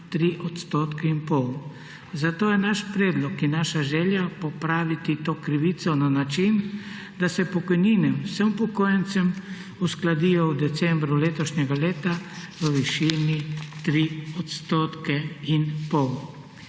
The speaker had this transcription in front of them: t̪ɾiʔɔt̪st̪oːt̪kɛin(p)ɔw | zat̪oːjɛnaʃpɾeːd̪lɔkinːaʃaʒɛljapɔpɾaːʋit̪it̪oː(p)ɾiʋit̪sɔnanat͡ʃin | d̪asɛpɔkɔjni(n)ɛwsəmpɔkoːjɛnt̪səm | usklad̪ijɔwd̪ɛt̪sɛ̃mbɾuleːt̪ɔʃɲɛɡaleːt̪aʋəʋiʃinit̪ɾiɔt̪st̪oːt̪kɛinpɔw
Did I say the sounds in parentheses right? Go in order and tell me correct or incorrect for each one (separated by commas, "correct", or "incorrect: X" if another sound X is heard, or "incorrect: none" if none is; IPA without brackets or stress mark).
correct, incorrect: k, correct